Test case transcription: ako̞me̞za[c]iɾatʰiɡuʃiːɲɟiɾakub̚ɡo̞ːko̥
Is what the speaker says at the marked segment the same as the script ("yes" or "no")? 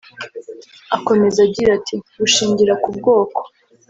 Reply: no